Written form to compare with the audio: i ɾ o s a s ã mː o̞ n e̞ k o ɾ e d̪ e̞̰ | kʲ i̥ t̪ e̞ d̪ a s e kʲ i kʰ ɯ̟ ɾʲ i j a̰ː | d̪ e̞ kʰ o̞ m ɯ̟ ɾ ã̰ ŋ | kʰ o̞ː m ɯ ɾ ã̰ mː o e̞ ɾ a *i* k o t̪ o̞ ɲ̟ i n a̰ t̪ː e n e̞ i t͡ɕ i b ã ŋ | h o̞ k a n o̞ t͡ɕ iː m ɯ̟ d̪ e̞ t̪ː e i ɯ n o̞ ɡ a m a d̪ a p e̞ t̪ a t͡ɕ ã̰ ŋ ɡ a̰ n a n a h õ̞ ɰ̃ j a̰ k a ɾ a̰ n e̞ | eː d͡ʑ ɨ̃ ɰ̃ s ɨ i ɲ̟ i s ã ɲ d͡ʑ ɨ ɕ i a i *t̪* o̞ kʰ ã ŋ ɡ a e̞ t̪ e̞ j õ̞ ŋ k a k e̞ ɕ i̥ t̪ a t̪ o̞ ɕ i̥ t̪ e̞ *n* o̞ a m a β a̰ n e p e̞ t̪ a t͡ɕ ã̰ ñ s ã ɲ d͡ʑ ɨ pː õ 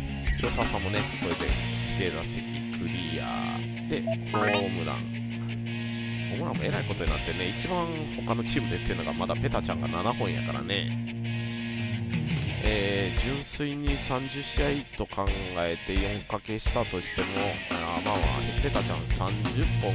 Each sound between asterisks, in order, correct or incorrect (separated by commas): correct, correct, incorrect